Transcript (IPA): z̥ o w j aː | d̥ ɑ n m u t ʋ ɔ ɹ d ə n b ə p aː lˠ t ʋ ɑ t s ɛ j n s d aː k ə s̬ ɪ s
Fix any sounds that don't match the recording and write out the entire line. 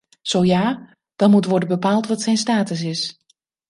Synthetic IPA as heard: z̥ o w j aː | d̥ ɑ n m u t ʋ ɔ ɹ d ə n b ə p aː lˠ t ʋ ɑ t s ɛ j n s t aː t ə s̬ ɪ s